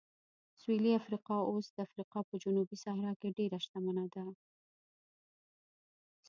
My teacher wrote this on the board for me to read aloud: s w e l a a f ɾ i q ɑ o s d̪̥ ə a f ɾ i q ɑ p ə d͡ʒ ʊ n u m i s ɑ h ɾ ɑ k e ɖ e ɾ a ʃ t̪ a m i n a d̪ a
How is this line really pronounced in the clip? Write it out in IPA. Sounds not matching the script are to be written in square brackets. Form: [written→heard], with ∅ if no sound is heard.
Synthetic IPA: s w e l [a→i] a f ɾ i q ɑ o s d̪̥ ə a f ɾ i q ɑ p ə d͡ʒ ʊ n u [m→b] i s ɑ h ɾ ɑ k e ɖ e ɾ a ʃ t̪ a m [i→a] n a d̪ a